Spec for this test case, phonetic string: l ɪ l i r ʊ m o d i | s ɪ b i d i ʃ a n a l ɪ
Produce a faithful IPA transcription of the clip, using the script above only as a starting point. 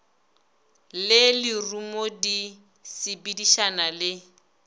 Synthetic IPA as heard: l ɪ l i r u m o d i | s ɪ b i d i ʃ a n a l ɪ